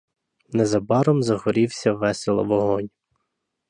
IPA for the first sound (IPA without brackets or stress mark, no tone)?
n